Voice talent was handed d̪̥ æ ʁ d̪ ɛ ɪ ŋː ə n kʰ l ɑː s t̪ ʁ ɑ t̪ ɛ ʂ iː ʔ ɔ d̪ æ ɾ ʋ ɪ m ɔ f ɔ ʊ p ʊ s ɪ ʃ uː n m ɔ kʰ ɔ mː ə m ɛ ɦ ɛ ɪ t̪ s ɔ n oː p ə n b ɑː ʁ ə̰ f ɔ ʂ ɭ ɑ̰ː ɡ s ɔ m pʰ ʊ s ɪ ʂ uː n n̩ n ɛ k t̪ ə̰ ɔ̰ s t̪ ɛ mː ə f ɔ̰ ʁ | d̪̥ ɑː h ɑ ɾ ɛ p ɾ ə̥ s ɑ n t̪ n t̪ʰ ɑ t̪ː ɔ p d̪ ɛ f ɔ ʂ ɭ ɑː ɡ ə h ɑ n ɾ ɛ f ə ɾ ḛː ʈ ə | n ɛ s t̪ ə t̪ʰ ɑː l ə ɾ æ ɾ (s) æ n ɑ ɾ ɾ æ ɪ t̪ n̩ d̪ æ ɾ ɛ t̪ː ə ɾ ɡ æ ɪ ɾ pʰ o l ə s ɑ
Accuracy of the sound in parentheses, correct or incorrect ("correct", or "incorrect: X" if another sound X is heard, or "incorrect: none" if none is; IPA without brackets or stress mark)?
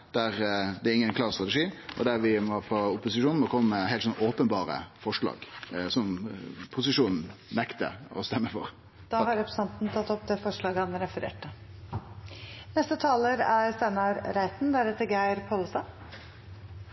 correct